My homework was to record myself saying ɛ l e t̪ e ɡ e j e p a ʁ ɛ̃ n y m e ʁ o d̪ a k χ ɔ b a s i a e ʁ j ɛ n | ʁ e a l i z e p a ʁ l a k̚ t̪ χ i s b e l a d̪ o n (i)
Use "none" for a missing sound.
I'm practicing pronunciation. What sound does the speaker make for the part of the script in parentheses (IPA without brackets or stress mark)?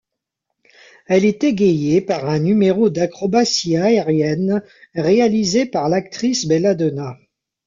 a